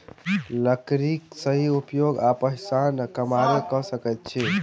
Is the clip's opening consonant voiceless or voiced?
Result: voiced